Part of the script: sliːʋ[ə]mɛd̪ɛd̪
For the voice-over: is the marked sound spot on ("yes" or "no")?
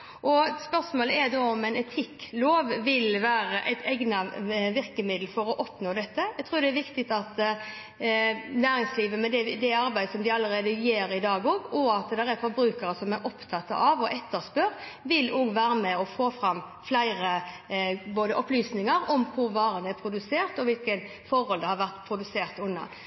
yes